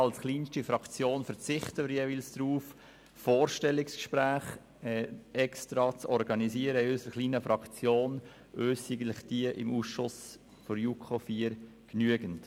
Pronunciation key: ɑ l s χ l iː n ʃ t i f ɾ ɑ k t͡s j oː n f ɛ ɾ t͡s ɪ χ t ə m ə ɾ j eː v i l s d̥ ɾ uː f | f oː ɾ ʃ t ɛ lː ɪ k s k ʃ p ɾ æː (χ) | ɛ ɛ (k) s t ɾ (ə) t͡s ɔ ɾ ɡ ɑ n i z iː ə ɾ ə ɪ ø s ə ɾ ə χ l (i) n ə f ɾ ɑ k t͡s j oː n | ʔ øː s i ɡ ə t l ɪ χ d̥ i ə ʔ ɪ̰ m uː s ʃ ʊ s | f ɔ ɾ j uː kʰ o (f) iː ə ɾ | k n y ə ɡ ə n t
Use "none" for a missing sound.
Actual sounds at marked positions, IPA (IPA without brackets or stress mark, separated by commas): χ, k, ɑ, iː, f